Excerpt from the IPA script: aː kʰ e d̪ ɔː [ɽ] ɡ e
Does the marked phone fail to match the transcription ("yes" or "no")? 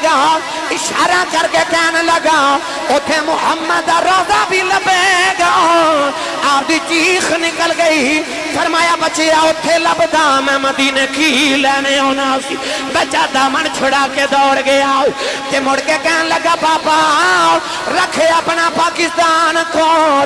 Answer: no